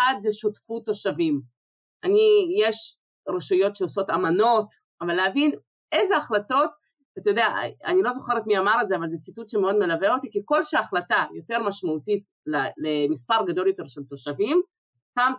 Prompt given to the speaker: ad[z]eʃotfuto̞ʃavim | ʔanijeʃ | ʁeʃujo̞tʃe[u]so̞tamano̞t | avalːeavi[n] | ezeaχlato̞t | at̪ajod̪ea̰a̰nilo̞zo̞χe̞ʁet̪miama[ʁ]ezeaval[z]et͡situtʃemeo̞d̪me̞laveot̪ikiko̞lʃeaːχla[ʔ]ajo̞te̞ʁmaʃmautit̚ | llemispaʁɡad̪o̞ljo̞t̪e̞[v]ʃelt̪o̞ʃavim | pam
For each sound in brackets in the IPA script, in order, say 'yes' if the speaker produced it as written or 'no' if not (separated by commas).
yes, no, yes, yes, yes, no, no